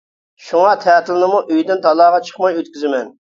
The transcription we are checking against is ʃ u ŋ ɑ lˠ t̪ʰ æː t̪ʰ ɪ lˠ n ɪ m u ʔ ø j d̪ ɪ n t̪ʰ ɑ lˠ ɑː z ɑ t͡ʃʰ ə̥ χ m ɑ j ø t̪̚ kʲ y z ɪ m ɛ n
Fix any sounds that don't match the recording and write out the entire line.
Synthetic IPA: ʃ u ŋ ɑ t̪ʰ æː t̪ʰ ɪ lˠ n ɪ m u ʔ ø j d̪ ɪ n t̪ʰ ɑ lˠ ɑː ʁ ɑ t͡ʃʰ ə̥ χ m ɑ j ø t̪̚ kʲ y z ɪ m ɛ n